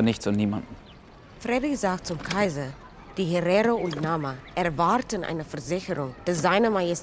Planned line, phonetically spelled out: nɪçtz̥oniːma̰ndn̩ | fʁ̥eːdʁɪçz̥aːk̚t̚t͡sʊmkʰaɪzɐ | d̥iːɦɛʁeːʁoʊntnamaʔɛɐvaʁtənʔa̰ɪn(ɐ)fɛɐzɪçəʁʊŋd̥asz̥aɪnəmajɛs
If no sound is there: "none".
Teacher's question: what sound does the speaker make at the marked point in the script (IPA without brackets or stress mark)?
ə